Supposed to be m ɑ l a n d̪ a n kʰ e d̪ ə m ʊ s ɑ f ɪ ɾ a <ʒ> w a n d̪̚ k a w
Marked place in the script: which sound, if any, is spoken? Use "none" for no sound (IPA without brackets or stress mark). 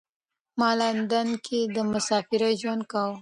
ʒ